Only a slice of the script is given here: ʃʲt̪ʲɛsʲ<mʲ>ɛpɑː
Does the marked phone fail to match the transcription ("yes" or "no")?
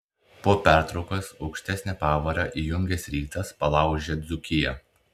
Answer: yes